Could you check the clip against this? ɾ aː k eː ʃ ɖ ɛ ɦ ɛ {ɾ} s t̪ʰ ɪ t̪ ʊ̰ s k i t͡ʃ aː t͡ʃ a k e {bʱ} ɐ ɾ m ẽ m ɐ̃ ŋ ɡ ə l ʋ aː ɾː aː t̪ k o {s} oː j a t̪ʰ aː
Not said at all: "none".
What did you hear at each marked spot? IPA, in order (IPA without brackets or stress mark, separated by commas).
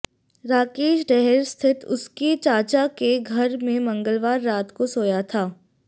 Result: ɾ, ɡʱ, s